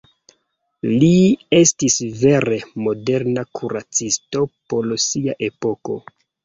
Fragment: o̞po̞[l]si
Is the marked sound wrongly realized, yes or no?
no